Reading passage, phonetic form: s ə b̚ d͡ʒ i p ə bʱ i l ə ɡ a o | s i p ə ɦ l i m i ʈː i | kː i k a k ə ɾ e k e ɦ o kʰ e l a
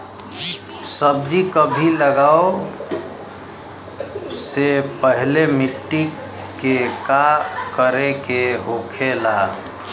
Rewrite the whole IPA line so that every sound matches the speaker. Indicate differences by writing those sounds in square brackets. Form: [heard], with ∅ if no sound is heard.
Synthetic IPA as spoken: s ə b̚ d͡ʒ i [k] ə bʱ i l ə ɡ a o | s [e] p ə ɦ l [e] m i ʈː i | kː [e] k a k ə ɾ e k e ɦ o kʰ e l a